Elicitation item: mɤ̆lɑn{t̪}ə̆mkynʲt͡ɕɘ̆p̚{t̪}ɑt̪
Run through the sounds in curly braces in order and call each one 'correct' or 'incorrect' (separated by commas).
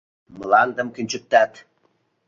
incorrect, correct